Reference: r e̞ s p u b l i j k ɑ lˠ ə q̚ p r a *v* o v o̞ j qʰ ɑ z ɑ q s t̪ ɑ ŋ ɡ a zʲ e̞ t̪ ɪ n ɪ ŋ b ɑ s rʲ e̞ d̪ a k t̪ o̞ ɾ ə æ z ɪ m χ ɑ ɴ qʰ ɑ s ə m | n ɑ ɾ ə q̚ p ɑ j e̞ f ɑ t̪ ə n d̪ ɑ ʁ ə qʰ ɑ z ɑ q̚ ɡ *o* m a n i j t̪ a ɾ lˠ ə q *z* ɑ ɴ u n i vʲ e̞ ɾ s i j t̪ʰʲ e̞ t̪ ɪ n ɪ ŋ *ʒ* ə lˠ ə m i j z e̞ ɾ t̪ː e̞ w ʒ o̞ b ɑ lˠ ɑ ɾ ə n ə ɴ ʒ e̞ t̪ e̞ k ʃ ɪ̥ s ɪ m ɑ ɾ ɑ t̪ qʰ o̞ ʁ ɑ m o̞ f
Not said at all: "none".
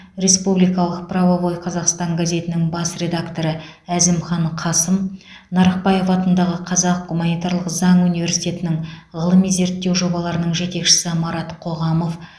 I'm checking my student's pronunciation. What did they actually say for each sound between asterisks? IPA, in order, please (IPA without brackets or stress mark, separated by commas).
v, u, z, ʁ